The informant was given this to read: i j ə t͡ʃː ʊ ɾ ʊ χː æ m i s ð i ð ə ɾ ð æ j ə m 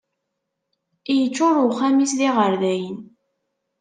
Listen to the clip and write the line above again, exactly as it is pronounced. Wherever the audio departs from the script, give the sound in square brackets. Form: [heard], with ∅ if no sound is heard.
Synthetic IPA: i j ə t͡ʃː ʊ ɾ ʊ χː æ m i s ð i [ʁ] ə ɾ ð æ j ə [n]

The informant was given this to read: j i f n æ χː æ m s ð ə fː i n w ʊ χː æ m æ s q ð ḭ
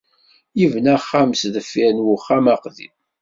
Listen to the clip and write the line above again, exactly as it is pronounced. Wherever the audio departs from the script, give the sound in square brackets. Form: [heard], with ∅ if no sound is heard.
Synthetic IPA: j i [v] n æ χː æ m s ð ə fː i n w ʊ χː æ m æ [∅] q ð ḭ

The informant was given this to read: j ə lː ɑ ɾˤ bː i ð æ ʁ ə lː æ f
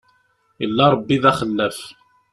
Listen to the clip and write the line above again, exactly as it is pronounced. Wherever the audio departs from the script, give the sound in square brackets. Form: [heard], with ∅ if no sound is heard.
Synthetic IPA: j ə lː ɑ ɾˤ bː i ð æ [χ] ə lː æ f

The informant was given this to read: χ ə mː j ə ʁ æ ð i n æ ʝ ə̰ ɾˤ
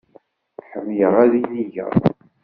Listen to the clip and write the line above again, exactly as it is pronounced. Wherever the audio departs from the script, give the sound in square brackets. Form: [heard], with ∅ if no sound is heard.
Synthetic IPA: [ħ] ə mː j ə ʁ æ ð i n [i] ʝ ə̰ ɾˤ

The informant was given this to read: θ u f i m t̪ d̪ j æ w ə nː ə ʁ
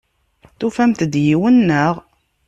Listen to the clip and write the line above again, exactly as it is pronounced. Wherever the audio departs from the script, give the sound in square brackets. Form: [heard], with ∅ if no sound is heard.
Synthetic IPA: θ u f [æ] m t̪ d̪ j [i] w ə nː ə ʁ

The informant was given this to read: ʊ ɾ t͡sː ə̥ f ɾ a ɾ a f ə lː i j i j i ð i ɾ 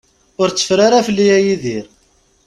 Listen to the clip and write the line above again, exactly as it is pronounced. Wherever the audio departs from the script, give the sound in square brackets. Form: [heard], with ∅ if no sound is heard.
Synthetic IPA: ʊ ɾ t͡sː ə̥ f ɾ a ɾ a f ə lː i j [æ] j i ð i ɾ

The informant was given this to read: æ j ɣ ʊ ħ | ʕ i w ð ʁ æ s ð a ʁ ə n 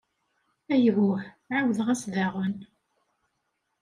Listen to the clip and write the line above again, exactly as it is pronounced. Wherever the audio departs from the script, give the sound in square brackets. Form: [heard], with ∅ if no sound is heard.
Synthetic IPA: æ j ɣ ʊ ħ | ʕ [a] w ð ʁ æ s ð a ʁ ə n

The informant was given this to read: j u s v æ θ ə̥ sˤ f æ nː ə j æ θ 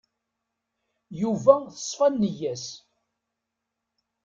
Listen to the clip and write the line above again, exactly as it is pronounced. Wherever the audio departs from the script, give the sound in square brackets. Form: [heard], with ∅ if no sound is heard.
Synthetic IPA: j u [∅] v æ θ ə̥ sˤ f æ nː ə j æ [s]

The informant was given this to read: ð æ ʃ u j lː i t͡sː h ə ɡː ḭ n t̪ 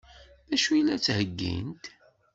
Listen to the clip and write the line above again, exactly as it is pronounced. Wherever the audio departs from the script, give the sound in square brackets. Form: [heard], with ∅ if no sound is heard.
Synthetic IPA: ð æ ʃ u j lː [æ] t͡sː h ə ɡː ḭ n t̪

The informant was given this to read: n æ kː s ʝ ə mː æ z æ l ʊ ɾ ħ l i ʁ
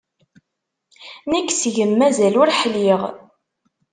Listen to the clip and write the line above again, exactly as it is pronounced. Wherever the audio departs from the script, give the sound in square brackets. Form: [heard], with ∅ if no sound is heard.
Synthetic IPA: n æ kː s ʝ ə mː æ z æ l ʊ ɾ ħ l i ʁ

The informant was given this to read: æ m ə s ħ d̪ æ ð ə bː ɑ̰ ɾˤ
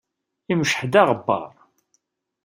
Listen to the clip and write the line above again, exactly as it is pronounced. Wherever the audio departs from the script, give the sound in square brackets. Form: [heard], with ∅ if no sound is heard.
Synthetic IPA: [i] m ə [ʃ] ħ d̪ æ [ʁ] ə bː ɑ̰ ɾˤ

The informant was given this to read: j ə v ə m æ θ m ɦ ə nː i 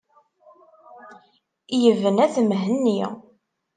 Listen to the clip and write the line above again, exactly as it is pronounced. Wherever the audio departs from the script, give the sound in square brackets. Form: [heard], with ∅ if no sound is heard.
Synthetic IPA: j ə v ə [n] æ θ m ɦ ə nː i

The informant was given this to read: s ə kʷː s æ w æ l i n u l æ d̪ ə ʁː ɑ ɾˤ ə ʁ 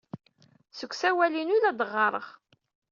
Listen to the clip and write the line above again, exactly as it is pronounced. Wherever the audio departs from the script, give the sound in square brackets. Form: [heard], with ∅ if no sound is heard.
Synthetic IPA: s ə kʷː s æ w æ l i n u l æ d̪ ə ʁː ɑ ɾˤ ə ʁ

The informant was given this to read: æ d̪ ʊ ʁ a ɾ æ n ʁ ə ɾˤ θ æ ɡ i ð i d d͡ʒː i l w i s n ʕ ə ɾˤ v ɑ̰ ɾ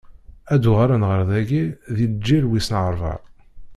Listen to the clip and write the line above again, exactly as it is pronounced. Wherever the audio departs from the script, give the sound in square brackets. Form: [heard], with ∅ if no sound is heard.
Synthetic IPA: æ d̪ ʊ ʁ a ɾ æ n ʁ ə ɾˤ [ð] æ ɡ i ð i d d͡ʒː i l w i s n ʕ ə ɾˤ v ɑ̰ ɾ

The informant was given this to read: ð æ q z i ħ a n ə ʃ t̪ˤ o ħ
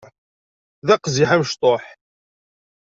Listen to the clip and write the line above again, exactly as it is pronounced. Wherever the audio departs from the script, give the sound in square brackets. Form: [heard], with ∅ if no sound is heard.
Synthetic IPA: ð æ q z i ħ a [m] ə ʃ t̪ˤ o ħ

